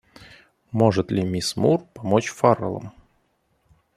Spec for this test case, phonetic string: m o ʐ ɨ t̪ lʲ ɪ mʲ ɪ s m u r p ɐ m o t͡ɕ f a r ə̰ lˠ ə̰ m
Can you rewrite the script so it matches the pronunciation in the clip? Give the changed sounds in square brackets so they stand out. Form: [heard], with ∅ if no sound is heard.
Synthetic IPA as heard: m o ʐ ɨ t̪ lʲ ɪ mʲ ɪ s m u r p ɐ m o t͡ɕ f a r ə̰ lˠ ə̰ m